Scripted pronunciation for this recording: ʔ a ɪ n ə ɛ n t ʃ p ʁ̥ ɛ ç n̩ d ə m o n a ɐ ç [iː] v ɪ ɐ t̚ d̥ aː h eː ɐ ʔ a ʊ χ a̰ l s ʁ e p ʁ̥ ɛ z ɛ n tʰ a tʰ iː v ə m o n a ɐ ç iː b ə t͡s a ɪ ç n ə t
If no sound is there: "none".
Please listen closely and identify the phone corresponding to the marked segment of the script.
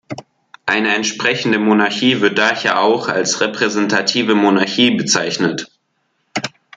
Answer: iː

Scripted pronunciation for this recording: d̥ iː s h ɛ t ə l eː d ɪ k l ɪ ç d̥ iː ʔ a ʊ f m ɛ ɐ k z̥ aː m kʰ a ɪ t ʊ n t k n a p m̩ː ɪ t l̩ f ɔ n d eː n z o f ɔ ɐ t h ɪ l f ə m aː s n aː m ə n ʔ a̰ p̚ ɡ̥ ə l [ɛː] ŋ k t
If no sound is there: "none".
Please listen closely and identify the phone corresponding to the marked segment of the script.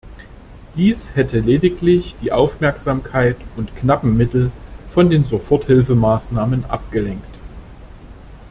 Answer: ɛ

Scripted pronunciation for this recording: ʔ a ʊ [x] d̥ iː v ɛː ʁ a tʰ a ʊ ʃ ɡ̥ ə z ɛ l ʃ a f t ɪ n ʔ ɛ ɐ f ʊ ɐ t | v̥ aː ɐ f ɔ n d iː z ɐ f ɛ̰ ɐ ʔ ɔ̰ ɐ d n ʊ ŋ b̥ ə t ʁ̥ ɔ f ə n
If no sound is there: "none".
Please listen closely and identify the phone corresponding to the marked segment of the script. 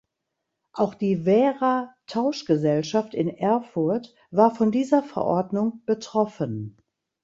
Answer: x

